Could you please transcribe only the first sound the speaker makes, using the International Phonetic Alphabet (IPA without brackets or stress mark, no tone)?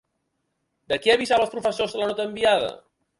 d̪